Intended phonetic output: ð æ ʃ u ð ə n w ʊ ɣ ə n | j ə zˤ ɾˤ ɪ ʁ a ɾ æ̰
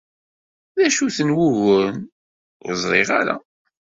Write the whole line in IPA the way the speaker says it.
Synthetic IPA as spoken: ð æ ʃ u θ ə n w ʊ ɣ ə n | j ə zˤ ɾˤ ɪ ʁ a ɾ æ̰